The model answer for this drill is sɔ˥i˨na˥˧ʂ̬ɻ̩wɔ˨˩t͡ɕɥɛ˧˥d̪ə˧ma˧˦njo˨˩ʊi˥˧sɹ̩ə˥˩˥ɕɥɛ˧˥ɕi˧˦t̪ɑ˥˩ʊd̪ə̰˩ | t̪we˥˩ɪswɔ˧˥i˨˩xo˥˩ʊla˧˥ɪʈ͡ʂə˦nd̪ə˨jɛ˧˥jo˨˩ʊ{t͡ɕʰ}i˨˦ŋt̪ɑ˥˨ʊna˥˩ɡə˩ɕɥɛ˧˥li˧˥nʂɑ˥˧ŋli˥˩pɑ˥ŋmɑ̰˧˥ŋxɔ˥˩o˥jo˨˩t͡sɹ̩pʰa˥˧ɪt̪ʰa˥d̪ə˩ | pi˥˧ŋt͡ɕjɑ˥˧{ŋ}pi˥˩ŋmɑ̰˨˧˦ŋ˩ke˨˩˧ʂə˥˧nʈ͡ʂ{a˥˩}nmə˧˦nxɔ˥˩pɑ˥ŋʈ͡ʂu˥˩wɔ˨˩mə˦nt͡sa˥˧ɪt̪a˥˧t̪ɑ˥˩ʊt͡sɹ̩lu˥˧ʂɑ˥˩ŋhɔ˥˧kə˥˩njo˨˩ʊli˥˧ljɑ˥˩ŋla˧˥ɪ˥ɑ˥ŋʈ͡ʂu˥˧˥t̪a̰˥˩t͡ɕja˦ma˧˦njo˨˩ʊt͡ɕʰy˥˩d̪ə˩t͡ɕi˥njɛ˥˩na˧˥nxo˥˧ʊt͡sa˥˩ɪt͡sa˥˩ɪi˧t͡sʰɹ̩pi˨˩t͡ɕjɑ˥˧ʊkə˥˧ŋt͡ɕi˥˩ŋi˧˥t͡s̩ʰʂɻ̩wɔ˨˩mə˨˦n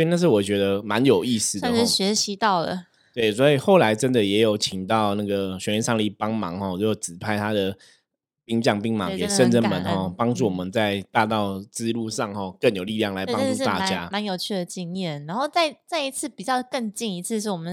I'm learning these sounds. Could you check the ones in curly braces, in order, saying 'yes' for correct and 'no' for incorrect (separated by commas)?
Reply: yes, yes, no